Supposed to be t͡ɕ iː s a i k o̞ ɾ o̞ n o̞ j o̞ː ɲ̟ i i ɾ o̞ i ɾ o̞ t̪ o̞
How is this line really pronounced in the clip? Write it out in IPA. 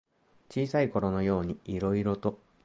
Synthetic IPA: t͡ɕ iː s a i k o̞ ɾ o̞ n o̞ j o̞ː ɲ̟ i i ɾ o̞ i ɾ o̞ t̪ o̞